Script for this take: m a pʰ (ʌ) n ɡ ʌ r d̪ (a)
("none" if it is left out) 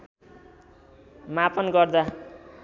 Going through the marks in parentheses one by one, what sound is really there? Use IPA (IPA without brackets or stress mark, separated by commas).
ʌ, a